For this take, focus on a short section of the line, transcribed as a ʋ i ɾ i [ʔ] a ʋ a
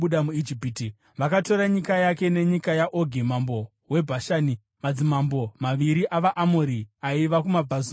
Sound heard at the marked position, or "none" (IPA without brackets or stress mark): ʔ